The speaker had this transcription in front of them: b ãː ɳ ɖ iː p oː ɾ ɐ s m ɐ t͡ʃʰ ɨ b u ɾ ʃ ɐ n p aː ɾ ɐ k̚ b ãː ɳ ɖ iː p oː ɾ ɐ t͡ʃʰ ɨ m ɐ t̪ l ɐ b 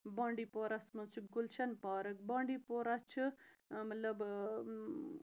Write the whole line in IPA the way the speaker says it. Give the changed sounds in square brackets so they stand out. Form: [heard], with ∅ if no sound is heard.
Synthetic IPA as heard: b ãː ɳ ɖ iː p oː ɾ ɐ s m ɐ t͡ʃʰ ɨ [ɡ] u [l] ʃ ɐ n p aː ɾ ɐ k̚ b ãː ɳ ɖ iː p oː ɾ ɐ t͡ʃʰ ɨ m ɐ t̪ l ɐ b